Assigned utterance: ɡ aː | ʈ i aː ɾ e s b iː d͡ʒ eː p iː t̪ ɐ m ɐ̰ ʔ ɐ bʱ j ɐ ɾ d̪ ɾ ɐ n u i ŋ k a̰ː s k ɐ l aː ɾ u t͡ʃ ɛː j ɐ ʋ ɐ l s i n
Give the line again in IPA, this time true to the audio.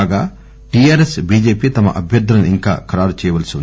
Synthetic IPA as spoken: ɡ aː | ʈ i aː ɾ e s b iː d͡ʒ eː p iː t̪ ɐ m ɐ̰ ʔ ɐ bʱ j ɐ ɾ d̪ ɾ ɐ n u i ŋ k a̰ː k ɐ ɾ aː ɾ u t͡ʃ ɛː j ɐ ʋ ɐ l s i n